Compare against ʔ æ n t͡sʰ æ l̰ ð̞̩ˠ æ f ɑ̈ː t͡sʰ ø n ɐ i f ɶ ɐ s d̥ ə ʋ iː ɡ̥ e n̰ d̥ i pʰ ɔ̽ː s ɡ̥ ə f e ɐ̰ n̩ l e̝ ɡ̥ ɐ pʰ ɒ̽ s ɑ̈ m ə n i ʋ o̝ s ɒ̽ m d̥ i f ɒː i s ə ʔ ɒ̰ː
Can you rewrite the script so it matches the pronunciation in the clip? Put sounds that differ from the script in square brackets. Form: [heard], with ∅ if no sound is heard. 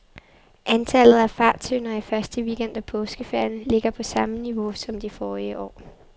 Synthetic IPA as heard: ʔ æ n t͡sʰ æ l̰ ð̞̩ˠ æ f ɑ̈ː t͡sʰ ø n ɐ i f ɶ ɐ s d̥ ə ʋ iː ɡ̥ e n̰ d̥ [æ] pʰ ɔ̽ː s ɡ̥ ə f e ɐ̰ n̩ l e̝ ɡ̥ ɐ pʰ ɒ̽ s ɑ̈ m ə n i ʋ o̝ s ɒ̽ m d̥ i f ɒː i [∅] ə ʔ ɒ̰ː